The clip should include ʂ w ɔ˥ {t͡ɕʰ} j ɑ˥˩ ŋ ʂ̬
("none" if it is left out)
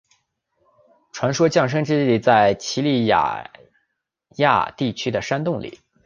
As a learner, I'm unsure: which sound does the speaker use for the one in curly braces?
t͡ɕ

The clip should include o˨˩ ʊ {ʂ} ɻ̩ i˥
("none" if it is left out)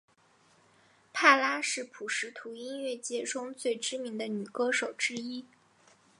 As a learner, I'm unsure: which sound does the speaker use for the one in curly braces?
ʈ͡ʂ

